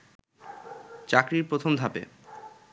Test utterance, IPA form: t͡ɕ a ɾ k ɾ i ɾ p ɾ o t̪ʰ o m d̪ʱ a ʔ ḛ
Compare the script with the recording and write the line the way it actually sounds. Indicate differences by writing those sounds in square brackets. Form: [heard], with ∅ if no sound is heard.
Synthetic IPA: t͡ɕ a [∅] k ɾ i ɾ p ɾ o t̪ʰ o m d̪ʱ a [p] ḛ